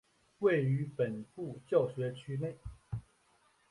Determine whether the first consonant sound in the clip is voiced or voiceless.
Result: voiced